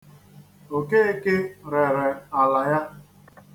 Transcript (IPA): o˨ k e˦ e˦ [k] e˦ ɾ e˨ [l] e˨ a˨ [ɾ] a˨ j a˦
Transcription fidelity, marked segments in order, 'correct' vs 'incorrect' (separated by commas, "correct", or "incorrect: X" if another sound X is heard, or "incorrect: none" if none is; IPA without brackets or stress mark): correct, incorrect: ɾ, incorrect: l